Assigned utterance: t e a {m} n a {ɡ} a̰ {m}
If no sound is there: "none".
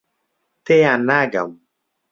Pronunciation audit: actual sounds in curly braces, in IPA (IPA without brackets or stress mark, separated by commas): none, ɡ, m